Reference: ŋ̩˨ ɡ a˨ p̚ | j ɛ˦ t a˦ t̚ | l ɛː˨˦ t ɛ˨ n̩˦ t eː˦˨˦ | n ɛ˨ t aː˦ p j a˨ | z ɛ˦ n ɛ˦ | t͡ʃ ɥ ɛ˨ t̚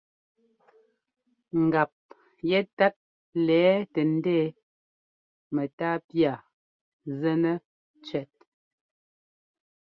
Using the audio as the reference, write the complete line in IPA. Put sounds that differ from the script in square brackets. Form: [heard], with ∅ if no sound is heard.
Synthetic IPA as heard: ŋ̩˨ ɡ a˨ p̚ | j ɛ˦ t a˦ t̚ | l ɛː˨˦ t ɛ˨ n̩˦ [d] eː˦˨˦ | [m] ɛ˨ t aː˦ p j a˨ | z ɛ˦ n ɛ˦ | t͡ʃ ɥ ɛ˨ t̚